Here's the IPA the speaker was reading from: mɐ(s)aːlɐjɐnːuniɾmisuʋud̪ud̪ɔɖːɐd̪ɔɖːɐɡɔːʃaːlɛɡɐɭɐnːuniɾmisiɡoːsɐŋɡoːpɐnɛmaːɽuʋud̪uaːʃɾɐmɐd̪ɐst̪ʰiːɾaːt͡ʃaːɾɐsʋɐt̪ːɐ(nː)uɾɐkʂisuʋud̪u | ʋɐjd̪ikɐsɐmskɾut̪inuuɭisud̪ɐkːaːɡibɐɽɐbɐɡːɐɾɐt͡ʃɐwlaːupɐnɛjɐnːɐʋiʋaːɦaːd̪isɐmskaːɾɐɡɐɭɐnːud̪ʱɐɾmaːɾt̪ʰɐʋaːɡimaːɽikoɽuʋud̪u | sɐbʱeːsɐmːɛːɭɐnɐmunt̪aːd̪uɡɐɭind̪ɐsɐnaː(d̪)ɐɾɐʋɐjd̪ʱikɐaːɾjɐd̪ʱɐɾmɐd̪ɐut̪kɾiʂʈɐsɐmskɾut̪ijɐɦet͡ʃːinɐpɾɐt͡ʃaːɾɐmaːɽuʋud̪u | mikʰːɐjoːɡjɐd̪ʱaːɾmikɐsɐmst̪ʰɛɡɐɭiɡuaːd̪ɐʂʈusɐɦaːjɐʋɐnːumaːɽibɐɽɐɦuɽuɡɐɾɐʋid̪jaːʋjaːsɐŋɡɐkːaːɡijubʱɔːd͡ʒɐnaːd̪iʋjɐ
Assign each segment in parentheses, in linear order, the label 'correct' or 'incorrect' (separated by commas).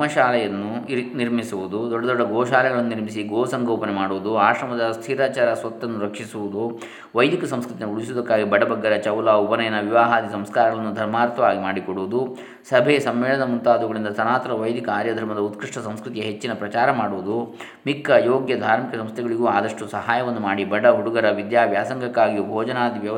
incorrect, correct, incorrect